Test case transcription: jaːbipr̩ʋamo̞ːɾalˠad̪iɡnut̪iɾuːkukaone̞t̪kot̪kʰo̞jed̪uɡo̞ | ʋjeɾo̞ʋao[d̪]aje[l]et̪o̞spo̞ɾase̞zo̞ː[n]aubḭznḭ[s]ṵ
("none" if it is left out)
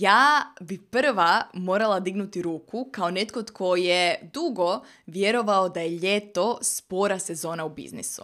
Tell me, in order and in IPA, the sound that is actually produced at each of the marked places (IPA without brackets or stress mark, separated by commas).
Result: d̪, ʎ, n, s